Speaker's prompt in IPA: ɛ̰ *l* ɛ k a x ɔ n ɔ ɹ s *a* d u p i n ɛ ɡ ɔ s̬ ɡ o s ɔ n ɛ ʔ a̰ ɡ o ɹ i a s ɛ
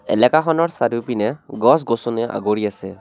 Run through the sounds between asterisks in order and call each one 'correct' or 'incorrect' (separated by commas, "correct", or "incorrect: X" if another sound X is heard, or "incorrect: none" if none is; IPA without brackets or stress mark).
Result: correct, correct